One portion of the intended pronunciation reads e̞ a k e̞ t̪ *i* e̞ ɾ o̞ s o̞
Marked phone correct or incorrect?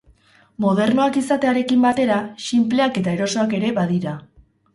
incorrect